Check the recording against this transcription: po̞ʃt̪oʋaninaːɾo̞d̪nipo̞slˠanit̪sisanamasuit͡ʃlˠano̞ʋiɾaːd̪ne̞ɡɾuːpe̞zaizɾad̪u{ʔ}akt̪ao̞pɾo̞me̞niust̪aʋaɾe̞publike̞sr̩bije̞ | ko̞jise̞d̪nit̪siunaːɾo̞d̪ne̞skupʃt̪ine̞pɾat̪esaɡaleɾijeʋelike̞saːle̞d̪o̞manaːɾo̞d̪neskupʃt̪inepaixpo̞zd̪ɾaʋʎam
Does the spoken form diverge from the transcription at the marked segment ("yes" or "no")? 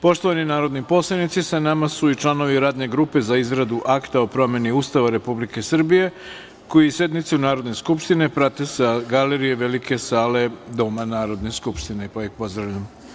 no